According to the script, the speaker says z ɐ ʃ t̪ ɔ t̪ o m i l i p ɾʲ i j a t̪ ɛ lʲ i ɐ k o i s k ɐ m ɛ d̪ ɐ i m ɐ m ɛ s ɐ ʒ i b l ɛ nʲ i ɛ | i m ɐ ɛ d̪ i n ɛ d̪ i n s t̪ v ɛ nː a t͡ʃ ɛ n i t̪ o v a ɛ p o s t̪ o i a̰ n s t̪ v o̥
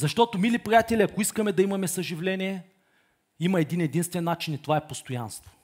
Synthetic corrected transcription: z ɐ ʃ t̪ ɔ t̪ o m i l i p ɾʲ i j a t̪ ɛ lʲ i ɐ k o i s k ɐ m ɛ d̪ ɐ i m ɐ m ɛ s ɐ ʒ i v l ɛ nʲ i ɛ | i m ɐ ɛ d̪ i n ɛ d̪ i n s t̪ v ɛ nː a t͡ʃ i n i t̪ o v a ɛ p o s t̪ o j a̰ n s t̪ v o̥